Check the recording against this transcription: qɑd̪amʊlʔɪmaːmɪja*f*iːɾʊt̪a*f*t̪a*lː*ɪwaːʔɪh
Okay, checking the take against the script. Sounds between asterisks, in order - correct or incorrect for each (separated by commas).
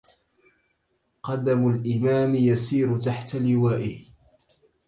incorrect, incorrect, incorrect